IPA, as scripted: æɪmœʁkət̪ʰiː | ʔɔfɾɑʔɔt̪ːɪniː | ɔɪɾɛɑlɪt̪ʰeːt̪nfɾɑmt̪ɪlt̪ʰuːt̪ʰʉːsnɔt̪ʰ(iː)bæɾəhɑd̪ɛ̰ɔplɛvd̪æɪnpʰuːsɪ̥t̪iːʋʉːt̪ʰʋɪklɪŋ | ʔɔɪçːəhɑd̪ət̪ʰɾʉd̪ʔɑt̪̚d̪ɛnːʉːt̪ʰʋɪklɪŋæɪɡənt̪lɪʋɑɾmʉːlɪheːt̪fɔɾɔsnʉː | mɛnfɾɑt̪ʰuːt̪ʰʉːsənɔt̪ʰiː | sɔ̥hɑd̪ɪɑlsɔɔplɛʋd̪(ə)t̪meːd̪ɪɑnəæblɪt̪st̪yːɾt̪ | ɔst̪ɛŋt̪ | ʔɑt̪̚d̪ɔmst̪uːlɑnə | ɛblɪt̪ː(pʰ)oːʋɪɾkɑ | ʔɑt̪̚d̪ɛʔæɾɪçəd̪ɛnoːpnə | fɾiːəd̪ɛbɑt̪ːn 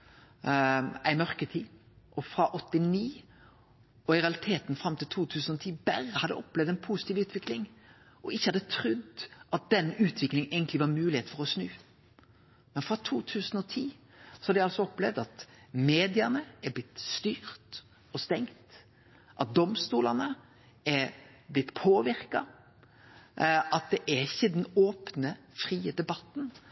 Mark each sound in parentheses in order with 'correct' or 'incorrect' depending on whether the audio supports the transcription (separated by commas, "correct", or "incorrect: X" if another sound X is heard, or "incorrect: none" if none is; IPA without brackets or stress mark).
correct, incorrect: ɑ, correct